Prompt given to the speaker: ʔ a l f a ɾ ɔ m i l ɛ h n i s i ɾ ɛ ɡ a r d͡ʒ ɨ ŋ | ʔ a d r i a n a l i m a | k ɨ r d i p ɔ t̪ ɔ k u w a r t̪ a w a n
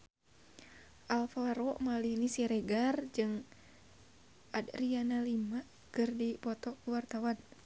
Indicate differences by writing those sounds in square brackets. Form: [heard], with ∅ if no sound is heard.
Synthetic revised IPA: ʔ a l f a ɾ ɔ m [a] l [i] h n i s i ɾ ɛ ɡ a r d͡ʒ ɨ ŋ | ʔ a d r i a n a l i m a | k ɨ r d i p ɔ t̪ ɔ k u w a r t̪ a w a n